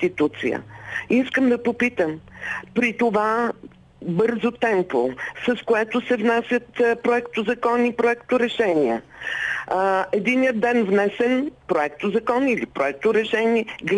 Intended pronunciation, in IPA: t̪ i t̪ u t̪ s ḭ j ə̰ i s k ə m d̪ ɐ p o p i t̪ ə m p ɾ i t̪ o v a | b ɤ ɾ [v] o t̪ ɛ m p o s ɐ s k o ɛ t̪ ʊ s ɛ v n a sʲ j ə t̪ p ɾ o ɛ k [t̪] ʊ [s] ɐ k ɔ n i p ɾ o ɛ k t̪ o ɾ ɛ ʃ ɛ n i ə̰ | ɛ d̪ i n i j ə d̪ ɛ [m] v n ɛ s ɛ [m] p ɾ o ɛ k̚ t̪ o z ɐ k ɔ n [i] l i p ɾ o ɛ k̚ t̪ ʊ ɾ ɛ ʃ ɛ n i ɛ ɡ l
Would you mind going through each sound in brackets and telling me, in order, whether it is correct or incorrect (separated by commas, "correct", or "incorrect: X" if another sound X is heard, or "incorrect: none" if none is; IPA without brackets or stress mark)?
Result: incorrect: z, correct, incorrect: z, incorrect: n, incorrect: n, correct